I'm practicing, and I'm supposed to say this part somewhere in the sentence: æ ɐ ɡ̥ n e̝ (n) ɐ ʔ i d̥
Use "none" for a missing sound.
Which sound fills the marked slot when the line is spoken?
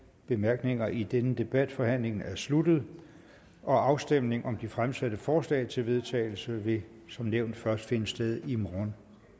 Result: ŋ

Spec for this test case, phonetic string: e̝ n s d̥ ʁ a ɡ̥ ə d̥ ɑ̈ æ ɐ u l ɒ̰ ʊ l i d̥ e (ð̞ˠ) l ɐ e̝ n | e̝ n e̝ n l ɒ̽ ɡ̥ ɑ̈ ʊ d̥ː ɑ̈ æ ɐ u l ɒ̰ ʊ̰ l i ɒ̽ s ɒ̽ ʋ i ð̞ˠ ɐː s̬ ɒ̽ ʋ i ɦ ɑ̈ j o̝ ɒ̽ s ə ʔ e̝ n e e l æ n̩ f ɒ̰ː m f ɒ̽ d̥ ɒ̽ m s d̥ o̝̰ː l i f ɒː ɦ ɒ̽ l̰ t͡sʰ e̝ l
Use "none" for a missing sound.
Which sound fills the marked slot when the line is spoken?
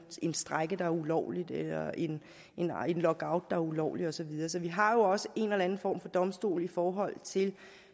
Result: none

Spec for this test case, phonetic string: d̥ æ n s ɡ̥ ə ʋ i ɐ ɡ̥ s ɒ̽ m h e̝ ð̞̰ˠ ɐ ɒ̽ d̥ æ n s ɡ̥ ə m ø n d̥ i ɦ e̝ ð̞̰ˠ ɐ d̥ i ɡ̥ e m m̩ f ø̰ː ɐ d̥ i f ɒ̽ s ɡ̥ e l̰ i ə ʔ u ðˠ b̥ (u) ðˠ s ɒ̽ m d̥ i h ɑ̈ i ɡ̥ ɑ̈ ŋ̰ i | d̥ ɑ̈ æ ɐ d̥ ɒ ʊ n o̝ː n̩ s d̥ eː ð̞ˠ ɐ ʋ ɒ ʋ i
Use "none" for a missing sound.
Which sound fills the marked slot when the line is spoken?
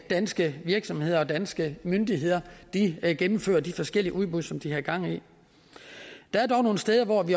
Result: u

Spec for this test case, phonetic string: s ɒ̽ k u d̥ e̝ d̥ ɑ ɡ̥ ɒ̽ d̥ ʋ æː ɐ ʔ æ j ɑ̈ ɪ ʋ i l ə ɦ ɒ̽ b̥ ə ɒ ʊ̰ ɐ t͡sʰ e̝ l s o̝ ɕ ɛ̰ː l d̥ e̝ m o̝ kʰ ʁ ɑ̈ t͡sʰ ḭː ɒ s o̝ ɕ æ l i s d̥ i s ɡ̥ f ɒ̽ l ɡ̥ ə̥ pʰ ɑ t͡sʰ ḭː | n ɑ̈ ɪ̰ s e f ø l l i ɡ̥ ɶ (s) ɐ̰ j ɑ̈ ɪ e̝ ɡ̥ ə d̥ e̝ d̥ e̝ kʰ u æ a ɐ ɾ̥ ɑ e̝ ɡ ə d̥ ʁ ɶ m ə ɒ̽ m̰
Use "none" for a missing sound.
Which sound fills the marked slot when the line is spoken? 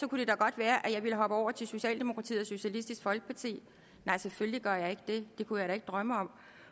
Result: none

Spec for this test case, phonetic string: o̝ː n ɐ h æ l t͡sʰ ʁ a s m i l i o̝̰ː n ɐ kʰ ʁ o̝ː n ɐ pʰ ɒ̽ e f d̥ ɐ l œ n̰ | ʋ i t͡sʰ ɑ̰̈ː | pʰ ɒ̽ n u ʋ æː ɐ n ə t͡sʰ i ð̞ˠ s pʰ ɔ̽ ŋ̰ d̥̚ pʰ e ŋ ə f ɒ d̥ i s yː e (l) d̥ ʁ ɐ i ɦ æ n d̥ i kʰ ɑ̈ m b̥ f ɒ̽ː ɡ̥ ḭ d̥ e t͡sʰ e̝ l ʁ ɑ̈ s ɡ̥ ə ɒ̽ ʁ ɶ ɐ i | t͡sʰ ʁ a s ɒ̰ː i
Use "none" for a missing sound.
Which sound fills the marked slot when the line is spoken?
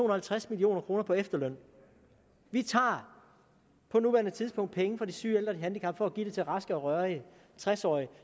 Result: l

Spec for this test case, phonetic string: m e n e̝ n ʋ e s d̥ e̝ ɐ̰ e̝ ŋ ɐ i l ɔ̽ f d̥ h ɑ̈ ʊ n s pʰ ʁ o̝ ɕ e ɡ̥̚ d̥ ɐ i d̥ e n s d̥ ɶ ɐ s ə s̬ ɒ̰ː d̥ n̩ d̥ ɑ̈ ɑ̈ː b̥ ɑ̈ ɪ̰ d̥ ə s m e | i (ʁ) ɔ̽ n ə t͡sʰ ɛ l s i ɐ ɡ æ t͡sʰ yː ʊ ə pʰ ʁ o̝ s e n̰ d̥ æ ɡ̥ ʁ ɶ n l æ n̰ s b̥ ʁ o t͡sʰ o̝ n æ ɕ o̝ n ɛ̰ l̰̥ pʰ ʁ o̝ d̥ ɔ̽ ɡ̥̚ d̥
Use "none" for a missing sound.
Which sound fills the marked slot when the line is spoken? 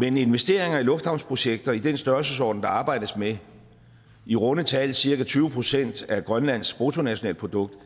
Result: ʁ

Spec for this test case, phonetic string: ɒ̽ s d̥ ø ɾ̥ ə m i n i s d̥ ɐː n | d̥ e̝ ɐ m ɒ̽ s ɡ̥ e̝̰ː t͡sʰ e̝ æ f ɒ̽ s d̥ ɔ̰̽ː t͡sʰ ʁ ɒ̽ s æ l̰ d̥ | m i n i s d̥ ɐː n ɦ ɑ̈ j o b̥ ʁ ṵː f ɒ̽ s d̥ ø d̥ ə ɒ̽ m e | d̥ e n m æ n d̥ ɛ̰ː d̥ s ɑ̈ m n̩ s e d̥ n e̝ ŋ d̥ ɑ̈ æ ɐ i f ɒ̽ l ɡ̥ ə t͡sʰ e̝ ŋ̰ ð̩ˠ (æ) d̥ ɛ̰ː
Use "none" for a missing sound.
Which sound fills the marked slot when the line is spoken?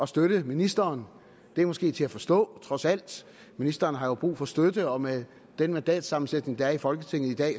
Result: i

